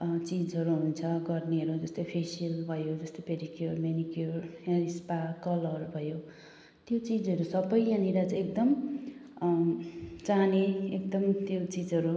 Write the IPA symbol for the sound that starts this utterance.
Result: t͡s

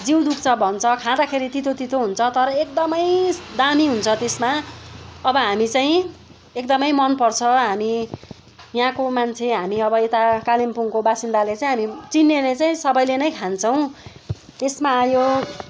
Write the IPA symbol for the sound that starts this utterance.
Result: d͡z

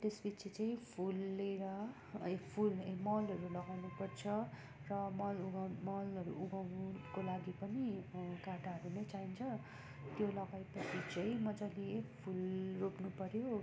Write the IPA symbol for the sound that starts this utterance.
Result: t̪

